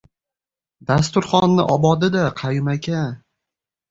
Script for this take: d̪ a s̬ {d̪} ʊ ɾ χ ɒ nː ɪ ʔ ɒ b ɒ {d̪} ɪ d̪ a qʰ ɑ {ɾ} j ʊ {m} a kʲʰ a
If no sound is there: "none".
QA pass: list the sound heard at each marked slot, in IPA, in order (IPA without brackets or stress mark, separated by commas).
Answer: t̪, d̪, none, m